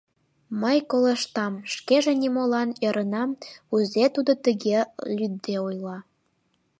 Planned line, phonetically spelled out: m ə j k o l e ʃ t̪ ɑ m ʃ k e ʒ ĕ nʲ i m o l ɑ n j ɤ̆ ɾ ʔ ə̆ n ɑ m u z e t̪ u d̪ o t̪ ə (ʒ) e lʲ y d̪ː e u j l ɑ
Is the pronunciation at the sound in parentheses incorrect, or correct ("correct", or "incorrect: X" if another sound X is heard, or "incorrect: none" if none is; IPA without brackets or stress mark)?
incorrect: ɣ